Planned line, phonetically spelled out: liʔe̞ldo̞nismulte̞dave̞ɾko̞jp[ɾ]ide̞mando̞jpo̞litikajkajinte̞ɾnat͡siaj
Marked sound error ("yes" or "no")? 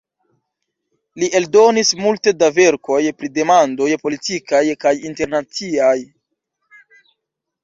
no